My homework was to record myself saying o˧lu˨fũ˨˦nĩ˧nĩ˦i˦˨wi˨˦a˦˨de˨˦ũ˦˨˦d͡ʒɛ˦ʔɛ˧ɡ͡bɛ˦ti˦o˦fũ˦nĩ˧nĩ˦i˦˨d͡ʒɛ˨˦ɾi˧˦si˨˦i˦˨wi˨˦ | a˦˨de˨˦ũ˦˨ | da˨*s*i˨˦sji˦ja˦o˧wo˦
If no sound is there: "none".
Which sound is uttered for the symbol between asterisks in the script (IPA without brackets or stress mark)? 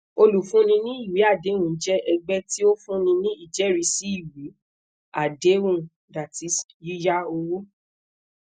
t